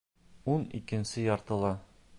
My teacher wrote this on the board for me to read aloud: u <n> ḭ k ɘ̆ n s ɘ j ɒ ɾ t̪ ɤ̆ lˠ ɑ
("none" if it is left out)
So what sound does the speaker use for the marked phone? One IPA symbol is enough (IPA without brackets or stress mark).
n